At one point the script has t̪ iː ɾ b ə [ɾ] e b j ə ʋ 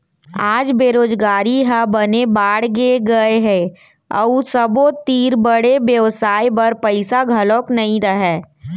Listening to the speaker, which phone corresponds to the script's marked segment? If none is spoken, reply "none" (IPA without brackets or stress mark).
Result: ɽ